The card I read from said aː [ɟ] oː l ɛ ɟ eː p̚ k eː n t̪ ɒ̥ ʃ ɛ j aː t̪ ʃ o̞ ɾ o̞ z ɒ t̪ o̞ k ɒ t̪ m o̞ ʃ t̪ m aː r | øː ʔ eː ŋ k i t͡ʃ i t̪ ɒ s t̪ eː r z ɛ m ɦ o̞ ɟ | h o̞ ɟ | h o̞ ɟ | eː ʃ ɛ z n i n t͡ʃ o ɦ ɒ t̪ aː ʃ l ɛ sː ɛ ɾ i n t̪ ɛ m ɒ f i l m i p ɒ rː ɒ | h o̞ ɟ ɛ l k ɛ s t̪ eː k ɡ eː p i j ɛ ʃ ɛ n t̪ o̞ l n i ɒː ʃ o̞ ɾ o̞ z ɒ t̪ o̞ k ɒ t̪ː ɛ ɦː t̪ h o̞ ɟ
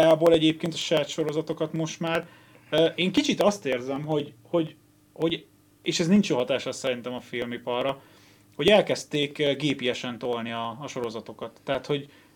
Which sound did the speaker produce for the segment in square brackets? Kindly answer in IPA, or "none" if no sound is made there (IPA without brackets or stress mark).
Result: b